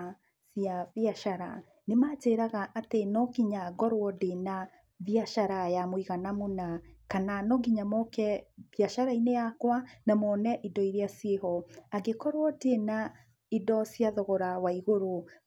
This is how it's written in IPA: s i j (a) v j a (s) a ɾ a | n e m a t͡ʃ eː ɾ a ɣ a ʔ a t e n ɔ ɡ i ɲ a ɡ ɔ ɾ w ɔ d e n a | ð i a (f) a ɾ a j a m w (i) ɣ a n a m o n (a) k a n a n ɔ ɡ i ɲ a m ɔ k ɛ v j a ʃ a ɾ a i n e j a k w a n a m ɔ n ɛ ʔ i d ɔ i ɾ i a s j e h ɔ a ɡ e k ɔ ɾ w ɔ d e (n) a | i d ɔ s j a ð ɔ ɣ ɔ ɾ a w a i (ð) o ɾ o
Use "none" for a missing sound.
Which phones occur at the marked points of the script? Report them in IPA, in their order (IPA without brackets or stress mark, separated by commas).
a, ʃ, ʃ, i, a, n, ɣ